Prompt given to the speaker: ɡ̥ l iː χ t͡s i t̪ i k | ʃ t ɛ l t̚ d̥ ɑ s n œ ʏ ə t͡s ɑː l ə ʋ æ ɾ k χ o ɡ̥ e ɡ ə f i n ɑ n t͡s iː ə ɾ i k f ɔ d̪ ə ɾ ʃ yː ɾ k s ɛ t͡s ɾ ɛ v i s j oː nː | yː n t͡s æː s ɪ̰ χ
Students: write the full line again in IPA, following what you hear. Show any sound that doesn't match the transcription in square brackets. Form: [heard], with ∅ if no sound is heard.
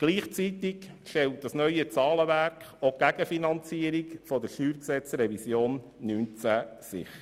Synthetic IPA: ɡ̥ l iː χ t͡s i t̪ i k | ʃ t ɛ l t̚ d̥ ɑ s n œ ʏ ə t͡s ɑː l ə ʋ æ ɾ k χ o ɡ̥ [æ] ɡ ə f i n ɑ n t͡s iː ə ɾ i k f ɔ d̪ ə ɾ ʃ yː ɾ k s ɛ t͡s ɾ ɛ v i s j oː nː | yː n t͡s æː s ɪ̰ χ